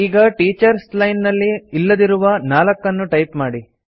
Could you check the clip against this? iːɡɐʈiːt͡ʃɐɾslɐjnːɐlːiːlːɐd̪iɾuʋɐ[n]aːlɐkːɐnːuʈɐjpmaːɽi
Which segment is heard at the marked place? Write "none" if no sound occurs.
n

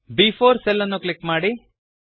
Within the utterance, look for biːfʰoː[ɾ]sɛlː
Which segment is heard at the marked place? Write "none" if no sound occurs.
ɾ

